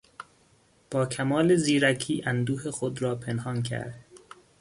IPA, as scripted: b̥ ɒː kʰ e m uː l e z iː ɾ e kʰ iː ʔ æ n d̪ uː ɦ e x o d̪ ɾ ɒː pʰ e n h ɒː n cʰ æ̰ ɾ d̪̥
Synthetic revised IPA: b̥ ɒː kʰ æ m ɒː l e z iː ɾ æ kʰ iː ʔ æ n d̪ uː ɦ e x o d̪ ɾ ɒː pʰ e n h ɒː n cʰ æ̰ ɾ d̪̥